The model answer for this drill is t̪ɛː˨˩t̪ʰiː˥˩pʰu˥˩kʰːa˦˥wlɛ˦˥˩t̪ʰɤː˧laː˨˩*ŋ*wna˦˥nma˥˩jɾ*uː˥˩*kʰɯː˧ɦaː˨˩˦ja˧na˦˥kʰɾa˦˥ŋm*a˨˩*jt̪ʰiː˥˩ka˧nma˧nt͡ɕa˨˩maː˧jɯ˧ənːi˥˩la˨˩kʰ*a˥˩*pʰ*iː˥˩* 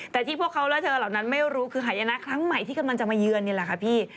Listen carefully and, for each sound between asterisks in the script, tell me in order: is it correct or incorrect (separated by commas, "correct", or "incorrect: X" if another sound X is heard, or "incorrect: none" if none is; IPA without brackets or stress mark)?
incorrect: none, incorrect: uː˦˥, correct, incorrect: a˦˥, correct